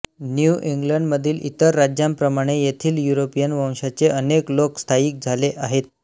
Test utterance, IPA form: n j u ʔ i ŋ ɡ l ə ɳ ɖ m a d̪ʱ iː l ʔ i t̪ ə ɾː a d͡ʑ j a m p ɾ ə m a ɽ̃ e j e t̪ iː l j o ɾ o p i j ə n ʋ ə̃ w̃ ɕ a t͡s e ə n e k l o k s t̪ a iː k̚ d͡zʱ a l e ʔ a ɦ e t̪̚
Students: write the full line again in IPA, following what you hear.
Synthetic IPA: n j u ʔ i ŋ ɡ l ə ɳ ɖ m ə d̪ʱ iː l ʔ i t̪ ə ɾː a d͡ʑ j a m p ɾ ə m a ɽ̃ e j e t̪ʰ iː l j u ɾ o p i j ə n ʋ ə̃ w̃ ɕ a t͡s e ə n e k l o k s t̪ʰ a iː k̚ d͡zʱ a l e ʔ a ɦ e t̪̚

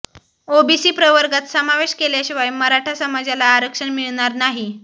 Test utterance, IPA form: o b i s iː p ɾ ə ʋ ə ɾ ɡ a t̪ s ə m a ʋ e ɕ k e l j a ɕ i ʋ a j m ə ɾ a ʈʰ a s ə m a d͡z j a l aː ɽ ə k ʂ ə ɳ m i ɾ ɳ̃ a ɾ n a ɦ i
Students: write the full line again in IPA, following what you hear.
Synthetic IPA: o b i s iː p ɾ ə ʋ ə ɾ ɡ a t̪ s ə m a ʋ e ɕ k e l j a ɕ i ʋ a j m ə ɾ a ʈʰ a s ə m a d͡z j a l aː ɾ ə k ʂ ə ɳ m i ɭ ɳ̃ a ɾ n a ɦ i

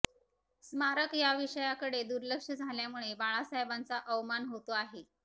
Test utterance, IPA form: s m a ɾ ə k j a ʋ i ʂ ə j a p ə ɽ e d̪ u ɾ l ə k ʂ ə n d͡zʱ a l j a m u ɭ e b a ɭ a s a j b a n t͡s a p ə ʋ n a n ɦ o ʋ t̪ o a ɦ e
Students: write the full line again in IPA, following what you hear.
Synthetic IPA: s m a ɾ ə k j a ʋ i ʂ ə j a k ə ɽ e d̪ u ɾ l ə k ʂ ə d͡zʱ a l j a m u ɭ e b a ɭ a s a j b a n t͡s a ʔ ə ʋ m a n ɦ o t̪ o a ɦ e

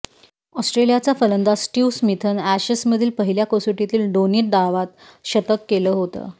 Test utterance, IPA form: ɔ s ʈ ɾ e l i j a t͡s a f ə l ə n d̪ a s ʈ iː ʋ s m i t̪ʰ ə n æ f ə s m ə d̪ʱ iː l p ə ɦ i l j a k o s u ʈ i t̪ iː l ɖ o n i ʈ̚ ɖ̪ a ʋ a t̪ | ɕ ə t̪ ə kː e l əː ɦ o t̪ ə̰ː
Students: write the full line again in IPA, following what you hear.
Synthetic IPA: ɔ s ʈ ɾ e l i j a t͡s a f ə l ə n d̪ a s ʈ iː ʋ s m i t̪ʰ ə n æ ɕ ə s m ə d̪ʱ iː l p ə ɦ i l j a k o s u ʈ i t̪ iː l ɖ o n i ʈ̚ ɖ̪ a ʋ a t̪ | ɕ ə t̪ ə kː e l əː ɦ o t̪ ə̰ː

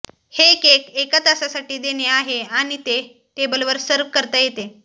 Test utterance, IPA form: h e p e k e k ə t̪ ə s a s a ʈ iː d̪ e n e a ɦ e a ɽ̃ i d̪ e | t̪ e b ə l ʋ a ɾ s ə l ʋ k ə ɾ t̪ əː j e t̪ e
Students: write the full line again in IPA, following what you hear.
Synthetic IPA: h e k e k e k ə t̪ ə s a s a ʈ iː d̪ e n e a ɦ e a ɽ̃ i t̪ e | t̪ e b ə l ʋ ə ɾ s ə ɾ ʋ k ə ɾ t̪ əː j e t̪ e

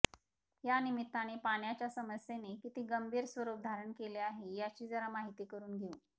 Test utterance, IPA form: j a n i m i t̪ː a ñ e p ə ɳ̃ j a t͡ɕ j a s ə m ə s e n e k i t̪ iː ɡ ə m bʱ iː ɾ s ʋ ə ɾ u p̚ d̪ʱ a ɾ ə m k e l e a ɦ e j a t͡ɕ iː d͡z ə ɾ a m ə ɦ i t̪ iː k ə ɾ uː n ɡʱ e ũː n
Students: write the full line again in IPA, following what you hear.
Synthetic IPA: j a n i m i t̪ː a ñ e p a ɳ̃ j a t͡ɕ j a s ə m ə s e n e k i t̪ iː ɡ ə m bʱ iː ɾ s ʋ ə ɾ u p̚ d̪ʱ a ɾ ə ɳ k e l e a ɦ e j a t͡ɕ iː d͡z ə ɾ a m a ɦ i t̪ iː k ə ɾ uː n ɡʱ e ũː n

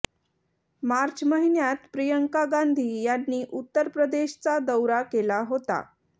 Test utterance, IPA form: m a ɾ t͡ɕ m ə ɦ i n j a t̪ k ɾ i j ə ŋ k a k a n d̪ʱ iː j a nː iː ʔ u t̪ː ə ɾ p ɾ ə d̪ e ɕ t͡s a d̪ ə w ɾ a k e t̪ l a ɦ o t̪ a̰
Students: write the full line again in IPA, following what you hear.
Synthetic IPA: m a ɾ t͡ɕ m ə ɦ i n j a t̪ p ɾ i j ə ŋ k a ɡ a n d̪ʱ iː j a nː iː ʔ u t̪ː ə ɾ p ɾ ə d̪ e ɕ t͡s a d̪ ə w ɾ a k e l a ɦ o t̪ a̰

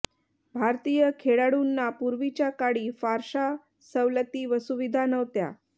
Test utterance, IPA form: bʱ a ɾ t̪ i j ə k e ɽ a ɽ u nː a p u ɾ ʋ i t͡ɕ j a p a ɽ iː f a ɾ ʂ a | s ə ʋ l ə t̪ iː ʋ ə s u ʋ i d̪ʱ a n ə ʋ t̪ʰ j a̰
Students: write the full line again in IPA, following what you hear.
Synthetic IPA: bʱ a ɾ t̪ i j ə kʰ e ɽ a ɽ u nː a p u ɾ ʋ i t͡ɕ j a k a ɽ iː f a ɾ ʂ a | s ə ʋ l ə t̪ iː ʋ ə s u ʋ i d̪ʱ a n ə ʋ t̪ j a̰

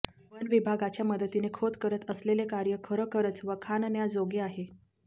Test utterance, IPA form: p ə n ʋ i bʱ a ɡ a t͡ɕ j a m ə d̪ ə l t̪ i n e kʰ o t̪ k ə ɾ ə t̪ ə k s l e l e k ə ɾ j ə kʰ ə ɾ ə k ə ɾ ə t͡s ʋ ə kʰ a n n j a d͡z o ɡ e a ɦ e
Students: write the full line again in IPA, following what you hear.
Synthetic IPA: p ə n ʋ i bʱ a ɡ a t͡ɕ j a m ə d̪ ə t̪ i n e kʰ o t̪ k ə ɾ ə t̪ ə s l e l e k a ɾ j ə kʰ ə ɾ ə k ə ɾ ə t͡s ʋ ə kʰ a n n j a d͡z o ɡ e a ɦ e

